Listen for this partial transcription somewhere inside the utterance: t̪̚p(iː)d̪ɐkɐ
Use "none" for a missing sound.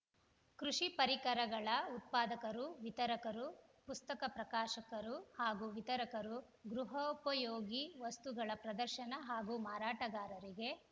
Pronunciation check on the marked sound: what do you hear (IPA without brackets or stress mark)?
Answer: aː